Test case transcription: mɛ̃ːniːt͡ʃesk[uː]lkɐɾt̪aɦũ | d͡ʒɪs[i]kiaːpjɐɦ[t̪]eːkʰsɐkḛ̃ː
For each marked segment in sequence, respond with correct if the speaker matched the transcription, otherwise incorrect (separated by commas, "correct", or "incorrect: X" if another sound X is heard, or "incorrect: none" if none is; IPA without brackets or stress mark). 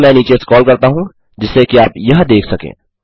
incorrect: ɔː, incorrect: e, incorrect: d̪